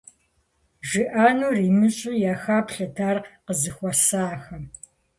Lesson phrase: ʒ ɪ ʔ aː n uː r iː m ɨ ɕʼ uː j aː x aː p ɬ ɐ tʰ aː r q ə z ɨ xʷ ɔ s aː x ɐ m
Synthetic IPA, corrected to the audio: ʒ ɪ ʔ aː n uː r iː m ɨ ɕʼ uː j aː x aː p ɬ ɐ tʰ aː r q ə z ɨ xʷ ɔ s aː x ɐ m